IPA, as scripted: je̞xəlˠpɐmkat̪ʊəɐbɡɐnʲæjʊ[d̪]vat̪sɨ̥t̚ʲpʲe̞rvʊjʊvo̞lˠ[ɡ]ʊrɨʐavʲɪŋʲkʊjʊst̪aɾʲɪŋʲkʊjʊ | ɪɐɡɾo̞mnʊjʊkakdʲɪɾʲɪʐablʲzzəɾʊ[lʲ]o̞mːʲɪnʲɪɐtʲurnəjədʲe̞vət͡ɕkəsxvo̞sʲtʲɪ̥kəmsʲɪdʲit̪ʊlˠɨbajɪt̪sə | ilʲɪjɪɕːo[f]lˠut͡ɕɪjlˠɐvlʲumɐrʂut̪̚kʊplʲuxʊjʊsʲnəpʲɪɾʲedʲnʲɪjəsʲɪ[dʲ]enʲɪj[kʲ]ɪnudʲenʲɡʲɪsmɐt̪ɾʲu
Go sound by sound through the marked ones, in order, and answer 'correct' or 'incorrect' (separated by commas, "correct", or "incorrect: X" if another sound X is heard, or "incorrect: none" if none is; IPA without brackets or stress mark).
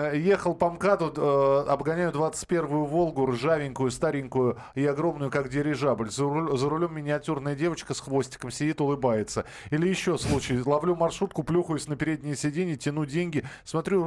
correct, correct, correct, incorrect: s, correct, incorrect: tʲ